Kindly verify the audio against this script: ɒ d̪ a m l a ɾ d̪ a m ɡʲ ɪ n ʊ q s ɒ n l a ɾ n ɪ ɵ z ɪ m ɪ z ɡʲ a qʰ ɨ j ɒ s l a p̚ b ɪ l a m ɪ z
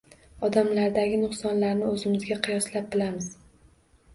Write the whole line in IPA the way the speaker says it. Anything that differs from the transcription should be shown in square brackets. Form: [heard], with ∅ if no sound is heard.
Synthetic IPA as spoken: ɒ d̪ a m l a ɾ d̪ a [∅] ɡʲ ɪ n ʊ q s ɒ n l a ɾ n ɪ ɵ z ɪ m ɪ z ɡʲ a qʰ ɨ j ɒ s l a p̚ b ɪ l a m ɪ z